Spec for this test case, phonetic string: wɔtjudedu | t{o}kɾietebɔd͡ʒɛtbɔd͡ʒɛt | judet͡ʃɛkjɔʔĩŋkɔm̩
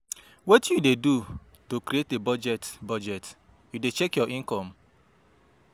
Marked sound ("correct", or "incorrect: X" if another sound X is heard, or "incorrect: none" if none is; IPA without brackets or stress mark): correct